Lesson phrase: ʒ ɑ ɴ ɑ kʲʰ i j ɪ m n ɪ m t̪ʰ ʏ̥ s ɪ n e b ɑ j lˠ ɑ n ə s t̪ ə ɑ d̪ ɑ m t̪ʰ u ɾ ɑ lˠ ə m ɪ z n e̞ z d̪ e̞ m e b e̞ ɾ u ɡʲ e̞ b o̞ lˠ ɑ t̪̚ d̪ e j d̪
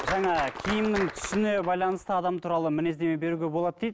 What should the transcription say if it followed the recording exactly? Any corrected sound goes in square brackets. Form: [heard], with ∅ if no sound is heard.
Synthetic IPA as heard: ʒ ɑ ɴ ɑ kʲʰ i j ɪ m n ɪ [ŋ] t̪ʰ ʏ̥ s ɪ n e b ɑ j lˠ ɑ n ə s t̪ ə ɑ d̪ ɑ m t̪ʰ u ɾ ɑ lˠ ə m ɪ [∅] n e̞ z d̪ e̞ m e b e̞ ɾ u ɡʲ e̞ b o̞ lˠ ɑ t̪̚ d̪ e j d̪